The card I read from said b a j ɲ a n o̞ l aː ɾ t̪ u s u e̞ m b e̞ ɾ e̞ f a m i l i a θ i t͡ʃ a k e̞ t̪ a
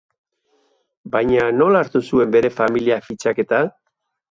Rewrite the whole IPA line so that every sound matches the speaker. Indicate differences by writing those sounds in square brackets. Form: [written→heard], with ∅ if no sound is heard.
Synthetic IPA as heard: b a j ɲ a n o̞ l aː ɾ t̪ u s u e̞ m b e̞ ɾ e̞ f a m i l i a [θ→f] i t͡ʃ a k e̞ t̪ a